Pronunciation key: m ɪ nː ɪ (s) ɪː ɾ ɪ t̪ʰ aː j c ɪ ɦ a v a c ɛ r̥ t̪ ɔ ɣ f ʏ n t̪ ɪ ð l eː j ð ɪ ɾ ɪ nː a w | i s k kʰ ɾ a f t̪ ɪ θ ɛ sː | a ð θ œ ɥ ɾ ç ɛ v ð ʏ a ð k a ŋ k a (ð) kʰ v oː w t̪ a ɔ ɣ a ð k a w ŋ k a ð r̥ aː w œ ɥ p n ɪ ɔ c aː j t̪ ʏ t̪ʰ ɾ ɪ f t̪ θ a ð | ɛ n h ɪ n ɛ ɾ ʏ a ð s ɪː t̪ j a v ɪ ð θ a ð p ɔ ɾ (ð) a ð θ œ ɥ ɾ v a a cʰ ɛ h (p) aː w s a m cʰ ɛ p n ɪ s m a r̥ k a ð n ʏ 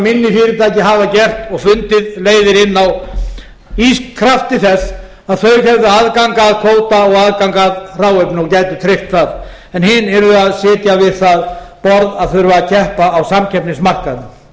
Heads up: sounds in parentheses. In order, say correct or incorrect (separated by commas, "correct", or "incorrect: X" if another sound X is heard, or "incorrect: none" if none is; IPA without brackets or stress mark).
incorrect: f, correct, correct, correct